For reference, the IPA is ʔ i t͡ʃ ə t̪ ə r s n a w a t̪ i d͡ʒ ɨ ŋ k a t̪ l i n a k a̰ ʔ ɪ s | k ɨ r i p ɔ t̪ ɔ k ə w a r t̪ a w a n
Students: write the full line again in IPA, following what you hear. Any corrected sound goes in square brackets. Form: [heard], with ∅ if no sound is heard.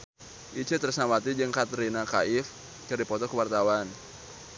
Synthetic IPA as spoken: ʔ i t͡ʃ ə t̪ ə r s n a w a t̪ i d͡ʒ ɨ ŋ k a t̪ [ɾ] i n a k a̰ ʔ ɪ [f] | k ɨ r i p ɔ t̪ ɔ k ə w a r t̪ a w a n